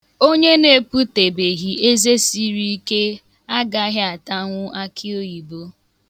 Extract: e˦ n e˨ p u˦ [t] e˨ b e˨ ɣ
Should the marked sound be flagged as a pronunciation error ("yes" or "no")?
no